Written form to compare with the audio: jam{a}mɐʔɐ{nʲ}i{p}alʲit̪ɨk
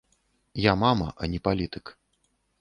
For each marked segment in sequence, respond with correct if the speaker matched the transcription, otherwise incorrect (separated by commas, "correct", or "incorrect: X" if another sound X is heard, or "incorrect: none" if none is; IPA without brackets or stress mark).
correct, correct, correct